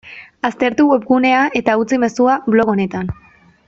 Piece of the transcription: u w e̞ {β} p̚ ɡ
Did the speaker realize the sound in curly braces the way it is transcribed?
no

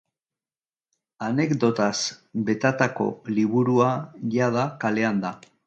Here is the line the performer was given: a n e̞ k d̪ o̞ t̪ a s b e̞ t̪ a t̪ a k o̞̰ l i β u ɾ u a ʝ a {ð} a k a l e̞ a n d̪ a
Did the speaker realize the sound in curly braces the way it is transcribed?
yes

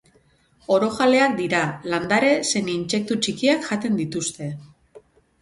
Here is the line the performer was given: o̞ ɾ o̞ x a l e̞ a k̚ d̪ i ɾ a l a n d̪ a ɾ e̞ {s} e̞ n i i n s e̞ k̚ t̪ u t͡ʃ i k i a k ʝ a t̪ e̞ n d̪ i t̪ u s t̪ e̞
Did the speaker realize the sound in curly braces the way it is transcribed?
yes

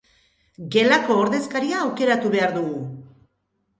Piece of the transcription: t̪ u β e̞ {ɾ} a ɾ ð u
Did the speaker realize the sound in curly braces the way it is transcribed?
no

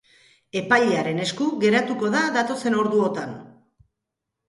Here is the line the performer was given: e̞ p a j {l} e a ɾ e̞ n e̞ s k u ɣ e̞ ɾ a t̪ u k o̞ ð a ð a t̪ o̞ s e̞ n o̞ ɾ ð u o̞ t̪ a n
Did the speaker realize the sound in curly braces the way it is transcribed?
no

